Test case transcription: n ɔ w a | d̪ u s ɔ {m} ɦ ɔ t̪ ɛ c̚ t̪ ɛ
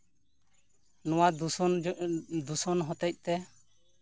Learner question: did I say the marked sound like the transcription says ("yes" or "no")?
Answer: no